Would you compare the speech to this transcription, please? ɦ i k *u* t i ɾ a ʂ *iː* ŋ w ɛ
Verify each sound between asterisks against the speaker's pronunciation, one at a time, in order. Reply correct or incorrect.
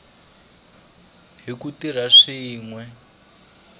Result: correct, correct

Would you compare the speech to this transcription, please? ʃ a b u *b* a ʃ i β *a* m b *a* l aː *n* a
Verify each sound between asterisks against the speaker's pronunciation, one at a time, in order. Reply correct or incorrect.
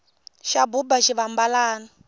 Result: correct, correct, correct, correct

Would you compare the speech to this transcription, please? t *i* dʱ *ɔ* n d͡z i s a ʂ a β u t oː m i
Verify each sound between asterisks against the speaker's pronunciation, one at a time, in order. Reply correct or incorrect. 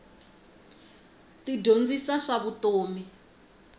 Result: correct, incorrect

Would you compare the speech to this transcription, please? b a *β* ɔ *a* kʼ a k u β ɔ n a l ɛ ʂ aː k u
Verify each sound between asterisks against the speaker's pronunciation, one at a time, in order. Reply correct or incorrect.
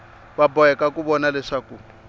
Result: incorrect, incorrect

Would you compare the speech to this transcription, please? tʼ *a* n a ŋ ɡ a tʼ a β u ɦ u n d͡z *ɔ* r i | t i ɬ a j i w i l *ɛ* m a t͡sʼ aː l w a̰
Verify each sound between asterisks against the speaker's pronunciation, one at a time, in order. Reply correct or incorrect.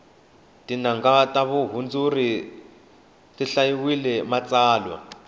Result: incorrect, incorrect, correct

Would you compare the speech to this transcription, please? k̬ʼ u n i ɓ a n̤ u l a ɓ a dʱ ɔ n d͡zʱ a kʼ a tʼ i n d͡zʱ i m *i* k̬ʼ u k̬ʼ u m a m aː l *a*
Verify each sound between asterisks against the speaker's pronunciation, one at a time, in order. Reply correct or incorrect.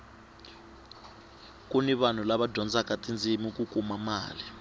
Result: correct, incorrect

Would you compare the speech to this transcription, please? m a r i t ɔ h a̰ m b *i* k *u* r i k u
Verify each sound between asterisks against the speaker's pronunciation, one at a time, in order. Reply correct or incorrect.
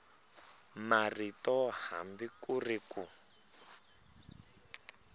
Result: correct, correct

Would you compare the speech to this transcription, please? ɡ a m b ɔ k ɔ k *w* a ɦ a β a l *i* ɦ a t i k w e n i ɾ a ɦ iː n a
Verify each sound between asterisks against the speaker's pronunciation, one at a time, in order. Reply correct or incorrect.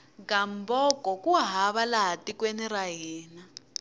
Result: incorrect, incorrect

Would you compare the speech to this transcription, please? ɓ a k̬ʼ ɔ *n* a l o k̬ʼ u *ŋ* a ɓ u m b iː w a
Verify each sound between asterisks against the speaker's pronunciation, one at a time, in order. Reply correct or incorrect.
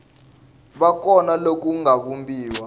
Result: correct, correct

